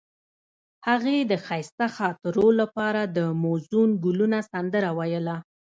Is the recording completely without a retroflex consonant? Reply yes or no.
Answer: yes